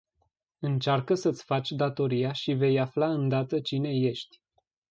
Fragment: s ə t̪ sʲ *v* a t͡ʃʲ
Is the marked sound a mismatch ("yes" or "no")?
yes